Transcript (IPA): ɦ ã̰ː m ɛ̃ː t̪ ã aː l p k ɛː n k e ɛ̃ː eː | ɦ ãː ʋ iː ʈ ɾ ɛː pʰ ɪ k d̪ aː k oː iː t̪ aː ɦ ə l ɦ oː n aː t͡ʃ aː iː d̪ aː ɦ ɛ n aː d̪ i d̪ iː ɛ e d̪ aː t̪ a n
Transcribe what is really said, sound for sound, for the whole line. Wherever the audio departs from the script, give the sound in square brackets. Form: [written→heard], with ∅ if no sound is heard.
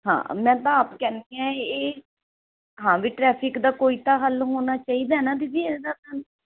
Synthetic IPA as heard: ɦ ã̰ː m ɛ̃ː t̪ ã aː [l→∅] p k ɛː n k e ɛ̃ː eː | ɦ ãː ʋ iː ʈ ɾ ɛː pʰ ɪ k d̪ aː k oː iː t̪ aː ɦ ə l ɦ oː n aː t͡ʃ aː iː d̪ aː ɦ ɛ n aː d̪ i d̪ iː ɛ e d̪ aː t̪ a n